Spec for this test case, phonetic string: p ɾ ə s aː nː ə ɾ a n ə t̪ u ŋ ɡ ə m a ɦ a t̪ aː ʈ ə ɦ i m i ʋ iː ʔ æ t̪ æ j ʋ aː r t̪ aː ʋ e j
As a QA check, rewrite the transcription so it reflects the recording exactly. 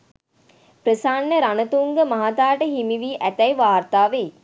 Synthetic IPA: p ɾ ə s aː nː ə ɾ a n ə t̪ u ŋ ɡ ə m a ɦ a t̪ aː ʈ ə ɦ i m i ʋ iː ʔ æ t̪ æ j ʋ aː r t̪ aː ʋ e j

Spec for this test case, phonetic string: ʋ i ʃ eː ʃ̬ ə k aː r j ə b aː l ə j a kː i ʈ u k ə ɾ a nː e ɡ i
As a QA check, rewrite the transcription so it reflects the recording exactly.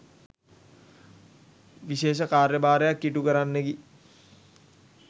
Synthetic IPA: ʋ i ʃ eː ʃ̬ ə k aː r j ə b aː ɾ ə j a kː i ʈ u k ə ɾ a nː e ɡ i

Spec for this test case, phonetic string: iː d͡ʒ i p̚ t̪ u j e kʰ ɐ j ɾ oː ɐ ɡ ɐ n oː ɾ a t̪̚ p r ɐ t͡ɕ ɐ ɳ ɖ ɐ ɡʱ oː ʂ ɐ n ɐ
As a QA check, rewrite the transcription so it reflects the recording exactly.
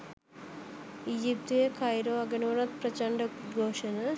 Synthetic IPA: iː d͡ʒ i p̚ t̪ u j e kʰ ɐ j ɾ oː ɐ ɡ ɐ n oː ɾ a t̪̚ p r ɐ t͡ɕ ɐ ɳ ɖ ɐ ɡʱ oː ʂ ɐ n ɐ

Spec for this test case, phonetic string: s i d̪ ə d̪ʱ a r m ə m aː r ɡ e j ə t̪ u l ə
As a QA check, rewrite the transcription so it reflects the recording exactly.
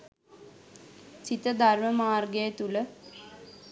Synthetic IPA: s i t̪ ə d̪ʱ a r m ə m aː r ɡ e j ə t̪ u l ə

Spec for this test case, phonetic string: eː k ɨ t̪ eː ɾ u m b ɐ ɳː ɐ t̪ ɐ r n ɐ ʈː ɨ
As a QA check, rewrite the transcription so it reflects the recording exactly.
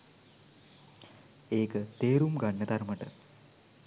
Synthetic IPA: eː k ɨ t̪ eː ɾ u m ɡ ɐ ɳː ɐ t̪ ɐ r m ɐ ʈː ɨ

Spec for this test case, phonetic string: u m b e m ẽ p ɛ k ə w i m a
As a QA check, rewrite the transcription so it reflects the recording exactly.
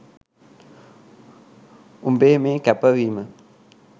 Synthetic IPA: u m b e m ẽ k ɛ p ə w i m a

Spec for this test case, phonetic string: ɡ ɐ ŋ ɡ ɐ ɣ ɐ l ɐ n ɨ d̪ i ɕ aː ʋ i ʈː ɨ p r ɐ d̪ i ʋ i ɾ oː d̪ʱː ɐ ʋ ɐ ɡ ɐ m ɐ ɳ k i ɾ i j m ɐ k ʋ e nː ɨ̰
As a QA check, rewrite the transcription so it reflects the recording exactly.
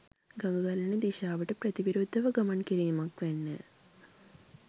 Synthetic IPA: ɡ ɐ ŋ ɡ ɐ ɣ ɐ l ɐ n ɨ d̪ i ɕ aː ʋ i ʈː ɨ p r ɐ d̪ i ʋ i ɾ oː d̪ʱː ɐ ʋ ɐ ɡ ɐ m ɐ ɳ k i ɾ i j m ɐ k ʋ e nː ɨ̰

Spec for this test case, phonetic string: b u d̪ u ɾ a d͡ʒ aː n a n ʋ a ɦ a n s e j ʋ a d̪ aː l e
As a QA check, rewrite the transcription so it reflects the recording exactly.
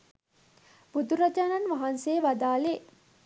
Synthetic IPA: b u d̪ u ɾ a d͡ʒ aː n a n ʋ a ɦ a n s e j ʋ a d̪ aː l e

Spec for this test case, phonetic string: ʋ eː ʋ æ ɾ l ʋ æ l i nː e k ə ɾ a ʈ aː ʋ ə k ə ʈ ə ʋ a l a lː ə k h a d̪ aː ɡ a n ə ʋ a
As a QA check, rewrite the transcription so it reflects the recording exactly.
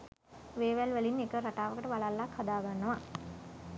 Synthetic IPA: ʋ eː ʋ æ l ʋ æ l i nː e k ə ɾ a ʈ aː ʋ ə k ə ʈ ə ʋ a l a lː a k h a d̪ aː ɡ a nː ə ʋ a

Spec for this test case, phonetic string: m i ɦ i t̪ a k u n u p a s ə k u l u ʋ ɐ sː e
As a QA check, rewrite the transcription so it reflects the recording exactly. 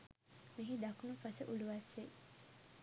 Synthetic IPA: m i ɦ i d̪ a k u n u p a s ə ʔ u l u ʋ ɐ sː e

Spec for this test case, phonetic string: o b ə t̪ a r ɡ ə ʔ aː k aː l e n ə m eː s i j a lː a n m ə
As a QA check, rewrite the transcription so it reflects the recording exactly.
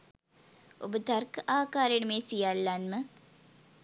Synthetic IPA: o b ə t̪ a r k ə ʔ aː k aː ɾ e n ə m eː s i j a lː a n m ə

